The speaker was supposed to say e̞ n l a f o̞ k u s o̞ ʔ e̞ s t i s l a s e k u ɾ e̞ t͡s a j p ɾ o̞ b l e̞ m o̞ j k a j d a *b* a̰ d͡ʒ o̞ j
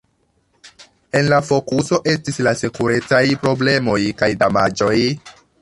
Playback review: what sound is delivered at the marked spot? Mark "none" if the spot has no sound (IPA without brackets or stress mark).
m